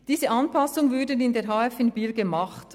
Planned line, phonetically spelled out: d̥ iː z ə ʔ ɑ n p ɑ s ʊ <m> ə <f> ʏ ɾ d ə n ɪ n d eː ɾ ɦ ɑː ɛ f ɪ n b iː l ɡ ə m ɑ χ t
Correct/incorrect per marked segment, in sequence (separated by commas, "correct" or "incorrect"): incorrect, incorrect